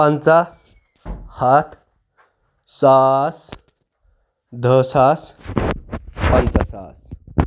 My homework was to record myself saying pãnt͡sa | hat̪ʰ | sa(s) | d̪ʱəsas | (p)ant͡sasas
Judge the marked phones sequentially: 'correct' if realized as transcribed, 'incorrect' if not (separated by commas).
correct, correct